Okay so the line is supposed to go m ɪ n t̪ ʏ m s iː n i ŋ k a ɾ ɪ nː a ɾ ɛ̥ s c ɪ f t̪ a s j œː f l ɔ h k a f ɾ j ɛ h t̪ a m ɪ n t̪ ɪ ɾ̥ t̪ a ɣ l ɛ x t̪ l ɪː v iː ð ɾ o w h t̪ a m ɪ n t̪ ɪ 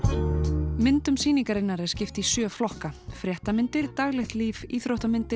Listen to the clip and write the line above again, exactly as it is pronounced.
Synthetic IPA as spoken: m ɪ n t̪ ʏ m s iː n i ŋ k a ɾ ɪ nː a ɾ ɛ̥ s c ɪ f t̪ i s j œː f l ɔ h k a f ɾ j ɛ h t̪ a m ɪ n t̪ ɪ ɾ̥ t̪ a ɣ l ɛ x t̪ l iː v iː θ ɾ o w h t̪ a m ɪ n t̪ ɪ